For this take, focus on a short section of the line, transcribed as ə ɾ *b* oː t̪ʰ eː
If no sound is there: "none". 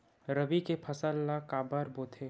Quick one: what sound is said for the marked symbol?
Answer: b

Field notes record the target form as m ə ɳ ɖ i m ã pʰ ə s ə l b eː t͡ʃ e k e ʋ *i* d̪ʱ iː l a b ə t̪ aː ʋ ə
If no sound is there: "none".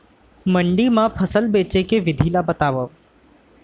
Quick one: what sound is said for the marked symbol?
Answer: ɪ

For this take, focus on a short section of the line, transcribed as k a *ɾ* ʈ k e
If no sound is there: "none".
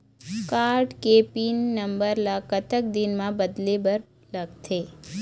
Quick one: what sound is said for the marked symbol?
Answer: ɾ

